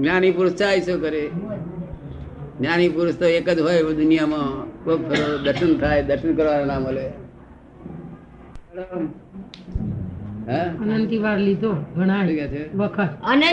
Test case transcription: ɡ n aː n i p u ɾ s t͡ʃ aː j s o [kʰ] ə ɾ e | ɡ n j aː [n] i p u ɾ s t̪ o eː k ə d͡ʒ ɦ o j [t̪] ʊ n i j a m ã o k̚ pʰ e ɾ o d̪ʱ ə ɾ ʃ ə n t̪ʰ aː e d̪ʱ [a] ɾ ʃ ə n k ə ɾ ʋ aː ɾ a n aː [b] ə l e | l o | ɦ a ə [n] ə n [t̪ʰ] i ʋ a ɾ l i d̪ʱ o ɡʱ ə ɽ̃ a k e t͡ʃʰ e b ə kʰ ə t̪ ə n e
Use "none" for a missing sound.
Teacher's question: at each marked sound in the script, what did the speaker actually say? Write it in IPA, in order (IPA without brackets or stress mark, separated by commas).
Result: k, n, d̪, ə, m, n, t̪